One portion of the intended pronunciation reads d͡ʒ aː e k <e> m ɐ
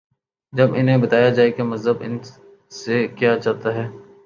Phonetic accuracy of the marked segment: correct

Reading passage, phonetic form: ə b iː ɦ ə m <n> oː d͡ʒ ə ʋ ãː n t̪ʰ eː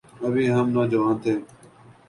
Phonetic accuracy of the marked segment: correct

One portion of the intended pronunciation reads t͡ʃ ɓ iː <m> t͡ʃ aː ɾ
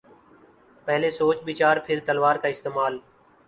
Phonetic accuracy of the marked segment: incorrect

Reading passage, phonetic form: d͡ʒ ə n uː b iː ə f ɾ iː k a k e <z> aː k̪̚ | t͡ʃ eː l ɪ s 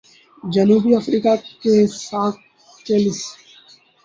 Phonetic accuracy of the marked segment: incorrect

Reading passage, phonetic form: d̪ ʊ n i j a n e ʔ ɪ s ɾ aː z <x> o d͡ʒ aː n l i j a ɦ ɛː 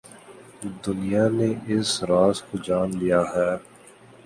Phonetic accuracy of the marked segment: incorrect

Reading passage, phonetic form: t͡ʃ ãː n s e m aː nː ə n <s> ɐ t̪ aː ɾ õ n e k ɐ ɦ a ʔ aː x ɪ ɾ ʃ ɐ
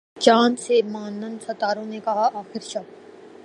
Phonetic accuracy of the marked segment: correct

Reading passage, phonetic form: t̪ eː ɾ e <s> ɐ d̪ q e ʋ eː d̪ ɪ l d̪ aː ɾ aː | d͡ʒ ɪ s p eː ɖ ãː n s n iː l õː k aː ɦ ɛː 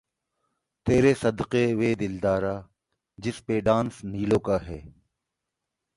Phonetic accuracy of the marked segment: correct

